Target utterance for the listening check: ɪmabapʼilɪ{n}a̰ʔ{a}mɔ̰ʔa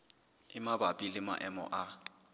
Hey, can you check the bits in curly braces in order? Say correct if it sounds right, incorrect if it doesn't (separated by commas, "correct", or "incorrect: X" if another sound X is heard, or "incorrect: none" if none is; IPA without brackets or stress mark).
incorrect: m, incorrect: ɛ